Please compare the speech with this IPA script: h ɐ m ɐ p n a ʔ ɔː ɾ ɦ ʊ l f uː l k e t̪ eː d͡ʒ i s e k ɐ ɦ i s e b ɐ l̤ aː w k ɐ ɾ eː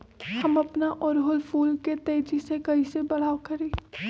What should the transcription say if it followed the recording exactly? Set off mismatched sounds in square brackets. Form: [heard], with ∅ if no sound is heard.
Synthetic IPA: h ɐ m ɐ p n a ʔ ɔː ɾ ɦ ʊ l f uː l k e t̪ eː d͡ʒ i s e k ɐ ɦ i s e b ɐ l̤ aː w k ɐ ɾ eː